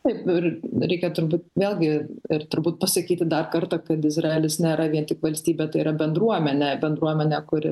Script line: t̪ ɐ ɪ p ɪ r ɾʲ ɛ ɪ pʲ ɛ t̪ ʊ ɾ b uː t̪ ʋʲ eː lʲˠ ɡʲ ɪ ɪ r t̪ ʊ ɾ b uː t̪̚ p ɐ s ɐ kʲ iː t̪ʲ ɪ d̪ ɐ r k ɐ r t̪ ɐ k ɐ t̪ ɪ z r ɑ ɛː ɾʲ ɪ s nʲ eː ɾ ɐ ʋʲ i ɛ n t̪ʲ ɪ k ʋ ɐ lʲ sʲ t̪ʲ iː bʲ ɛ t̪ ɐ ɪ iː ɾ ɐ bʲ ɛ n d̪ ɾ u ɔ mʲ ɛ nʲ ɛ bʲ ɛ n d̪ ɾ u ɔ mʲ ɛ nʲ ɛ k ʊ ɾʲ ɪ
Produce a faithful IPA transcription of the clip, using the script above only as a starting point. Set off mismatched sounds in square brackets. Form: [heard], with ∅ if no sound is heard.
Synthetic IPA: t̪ ɐ ɪ p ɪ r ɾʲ ɛ ɪ [kʲ] ɛ t̪ ʊ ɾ b uː t̪ ʋʲ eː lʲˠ ɡʲ ɪ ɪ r t̪ ʊ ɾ b uː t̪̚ p ɐ s ɐ kʲ iː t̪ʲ ɪ d̪ ɐ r k ɐ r t̪ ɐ k ɐ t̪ ɪ z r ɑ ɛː [lʲ] ɪ s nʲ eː ɾ ɐ ʋʲ i ɛ n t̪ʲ ɪ k ʋ ɐ lʲ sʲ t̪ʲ iː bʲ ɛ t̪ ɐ ɪ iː ɾ ɐ bʲ ɛ n d̪ ɾ u ɔ mʲ ɛ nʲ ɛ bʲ ɛ n d̪ ɾ u ɔ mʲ ɛ nʲ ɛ k ʊ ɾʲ ɪ

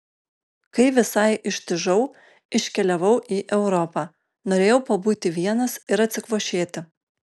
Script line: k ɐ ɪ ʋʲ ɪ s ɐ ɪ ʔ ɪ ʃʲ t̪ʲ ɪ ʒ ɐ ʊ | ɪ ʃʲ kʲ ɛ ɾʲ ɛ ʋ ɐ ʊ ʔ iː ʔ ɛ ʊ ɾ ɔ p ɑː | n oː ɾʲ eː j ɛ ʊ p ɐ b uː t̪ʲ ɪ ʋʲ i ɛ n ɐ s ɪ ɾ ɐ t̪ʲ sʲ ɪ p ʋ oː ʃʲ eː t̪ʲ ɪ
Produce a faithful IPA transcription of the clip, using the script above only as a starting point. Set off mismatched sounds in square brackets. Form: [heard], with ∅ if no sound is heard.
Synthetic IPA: k ɐ ɪ ʋʲ ɪ s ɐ ɪ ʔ ɪ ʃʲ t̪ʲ ɪ ʒ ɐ ʊ | ɪ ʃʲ kʲ ɛ [lʲ] ɛ ʋ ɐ ʊ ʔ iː ʔ ɛ ʊ ɾ ɔ p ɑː | n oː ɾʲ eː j ɛ ʊ p ɐ b uː t̪ʲ ɪ ʋʲ i ɛ n ɐ s ɪ ɾ ɐ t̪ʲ sʲ ɪ [k] ʋ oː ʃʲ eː t̪ʲ ɪ

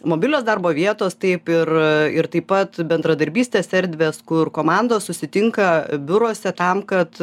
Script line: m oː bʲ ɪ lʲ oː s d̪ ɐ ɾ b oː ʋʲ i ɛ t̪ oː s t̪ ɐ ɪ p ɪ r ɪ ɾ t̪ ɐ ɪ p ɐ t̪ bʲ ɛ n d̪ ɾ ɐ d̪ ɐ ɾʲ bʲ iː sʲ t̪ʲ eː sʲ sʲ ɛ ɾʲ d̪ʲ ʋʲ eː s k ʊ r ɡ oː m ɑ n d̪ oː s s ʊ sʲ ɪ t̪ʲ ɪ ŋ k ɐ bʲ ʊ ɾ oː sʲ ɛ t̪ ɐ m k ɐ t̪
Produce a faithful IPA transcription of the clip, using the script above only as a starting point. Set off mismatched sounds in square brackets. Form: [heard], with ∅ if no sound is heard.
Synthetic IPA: m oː bʲ ɪ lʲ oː s d̪ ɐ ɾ b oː ʋʲ i ɛ t̪ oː s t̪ ɐ ɪ p ɪ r ɪ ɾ t̪ ɐ ɪ p ɐ t̪ bʲ ɛ n d̪ ɾ ɐ d̪ ɐ ɾʲ bʲ iː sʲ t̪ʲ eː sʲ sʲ ɛ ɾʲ d̪ʲ ʋʲ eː s k ʊ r [k] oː m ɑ n d̪ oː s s ʊ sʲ ɪ t̪ʲ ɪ ŋ k ɐ bʲ ʊ ɾ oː sʲ ɛ t̪ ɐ m k ɐ t̪

